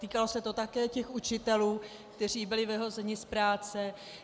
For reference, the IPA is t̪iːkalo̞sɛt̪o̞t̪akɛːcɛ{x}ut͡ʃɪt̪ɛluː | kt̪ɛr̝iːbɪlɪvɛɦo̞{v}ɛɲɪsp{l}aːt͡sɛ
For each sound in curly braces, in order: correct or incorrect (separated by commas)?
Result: correct, incorrect, incorrect